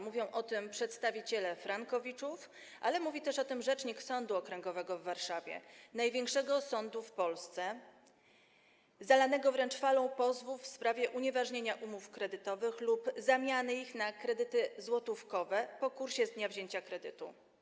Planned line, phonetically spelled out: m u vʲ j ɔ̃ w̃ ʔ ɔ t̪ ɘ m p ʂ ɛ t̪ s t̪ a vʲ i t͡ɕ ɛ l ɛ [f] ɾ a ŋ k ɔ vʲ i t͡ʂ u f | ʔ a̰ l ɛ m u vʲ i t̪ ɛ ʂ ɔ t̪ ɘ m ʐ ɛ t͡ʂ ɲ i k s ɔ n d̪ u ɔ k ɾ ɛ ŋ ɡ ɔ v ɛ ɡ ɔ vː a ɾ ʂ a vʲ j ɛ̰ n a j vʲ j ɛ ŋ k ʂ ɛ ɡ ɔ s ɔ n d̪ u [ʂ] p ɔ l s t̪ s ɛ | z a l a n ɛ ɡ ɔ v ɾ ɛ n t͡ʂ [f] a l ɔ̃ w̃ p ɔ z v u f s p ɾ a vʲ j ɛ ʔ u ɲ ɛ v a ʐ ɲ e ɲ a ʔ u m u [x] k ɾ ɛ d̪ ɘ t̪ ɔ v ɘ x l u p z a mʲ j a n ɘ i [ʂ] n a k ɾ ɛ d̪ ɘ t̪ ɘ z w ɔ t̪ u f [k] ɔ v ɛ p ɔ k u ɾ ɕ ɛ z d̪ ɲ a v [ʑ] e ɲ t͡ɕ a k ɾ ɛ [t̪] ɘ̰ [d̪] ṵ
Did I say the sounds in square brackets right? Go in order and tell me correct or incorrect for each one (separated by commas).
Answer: correct, incorrect, correct, incorrect, incorrect, correct, correct, incorrect, incorrect